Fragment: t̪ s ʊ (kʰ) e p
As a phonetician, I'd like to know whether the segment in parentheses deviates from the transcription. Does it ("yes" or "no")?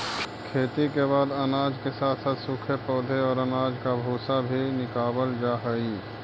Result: no